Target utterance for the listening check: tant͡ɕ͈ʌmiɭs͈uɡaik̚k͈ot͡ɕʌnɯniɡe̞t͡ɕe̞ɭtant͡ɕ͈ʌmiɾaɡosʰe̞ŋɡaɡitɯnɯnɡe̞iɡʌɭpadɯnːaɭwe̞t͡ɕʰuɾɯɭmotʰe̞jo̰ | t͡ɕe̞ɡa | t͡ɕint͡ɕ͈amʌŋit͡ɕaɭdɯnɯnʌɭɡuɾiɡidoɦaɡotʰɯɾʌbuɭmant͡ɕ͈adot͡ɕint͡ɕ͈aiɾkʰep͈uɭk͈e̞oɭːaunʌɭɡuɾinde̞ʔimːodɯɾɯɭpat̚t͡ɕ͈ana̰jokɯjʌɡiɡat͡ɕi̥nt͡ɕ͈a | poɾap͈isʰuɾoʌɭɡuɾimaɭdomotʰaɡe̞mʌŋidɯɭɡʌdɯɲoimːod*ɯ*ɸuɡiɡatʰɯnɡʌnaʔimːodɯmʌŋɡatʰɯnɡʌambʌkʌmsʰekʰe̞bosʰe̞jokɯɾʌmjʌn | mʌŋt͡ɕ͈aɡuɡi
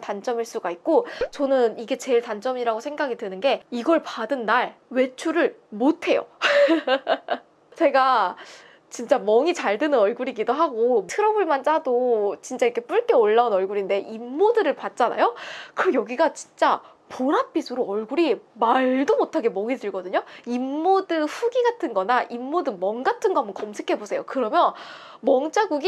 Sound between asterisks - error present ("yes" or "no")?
no